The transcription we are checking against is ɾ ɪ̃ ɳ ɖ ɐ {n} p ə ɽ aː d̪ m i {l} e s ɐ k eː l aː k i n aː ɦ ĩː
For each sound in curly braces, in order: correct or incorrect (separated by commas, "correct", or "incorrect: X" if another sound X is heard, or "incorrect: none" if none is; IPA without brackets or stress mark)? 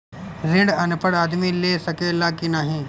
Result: correct, correct